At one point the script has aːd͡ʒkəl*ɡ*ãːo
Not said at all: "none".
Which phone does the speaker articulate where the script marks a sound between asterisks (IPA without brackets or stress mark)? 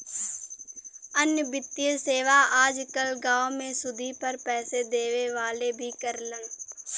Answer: ɡ